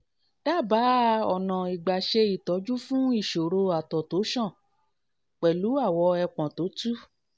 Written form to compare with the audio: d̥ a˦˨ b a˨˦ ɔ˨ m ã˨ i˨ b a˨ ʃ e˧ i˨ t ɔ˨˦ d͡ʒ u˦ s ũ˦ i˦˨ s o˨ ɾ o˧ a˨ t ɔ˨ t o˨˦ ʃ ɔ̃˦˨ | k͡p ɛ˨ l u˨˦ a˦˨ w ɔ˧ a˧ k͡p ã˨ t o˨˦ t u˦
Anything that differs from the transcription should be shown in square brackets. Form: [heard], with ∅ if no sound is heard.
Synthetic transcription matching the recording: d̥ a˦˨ b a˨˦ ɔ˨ [n] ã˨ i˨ [ɡ͡b] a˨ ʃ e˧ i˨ t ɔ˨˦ d͡ʒ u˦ [f] ũ˦ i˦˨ [ʃ] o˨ ɾ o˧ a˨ t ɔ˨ t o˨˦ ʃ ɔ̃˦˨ | k͡p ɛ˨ l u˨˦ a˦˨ w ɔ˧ [ɛ˧] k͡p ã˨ t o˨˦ t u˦